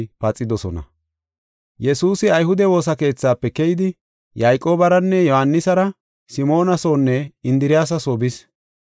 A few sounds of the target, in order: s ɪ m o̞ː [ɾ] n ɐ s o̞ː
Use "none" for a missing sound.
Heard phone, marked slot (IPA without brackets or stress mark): none